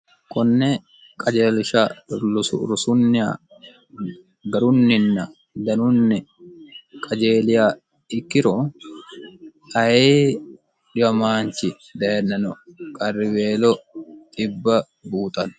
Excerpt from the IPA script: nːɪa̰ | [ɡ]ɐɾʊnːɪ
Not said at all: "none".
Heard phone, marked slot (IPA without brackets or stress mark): ɡ